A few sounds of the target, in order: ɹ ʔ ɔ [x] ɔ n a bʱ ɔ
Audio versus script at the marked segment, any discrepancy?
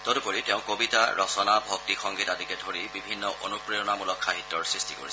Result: yes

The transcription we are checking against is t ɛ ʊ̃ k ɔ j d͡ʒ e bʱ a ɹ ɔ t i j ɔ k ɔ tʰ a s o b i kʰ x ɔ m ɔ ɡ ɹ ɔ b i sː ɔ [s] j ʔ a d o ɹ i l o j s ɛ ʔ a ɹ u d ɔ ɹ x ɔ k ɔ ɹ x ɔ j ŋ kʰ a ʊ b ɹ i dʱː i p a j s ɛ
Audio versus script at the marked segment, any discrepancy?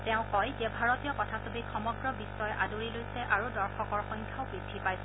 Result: yes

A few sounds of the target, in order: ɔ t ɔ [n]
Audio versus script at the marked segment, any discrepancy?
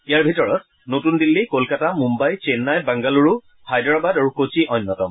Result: yes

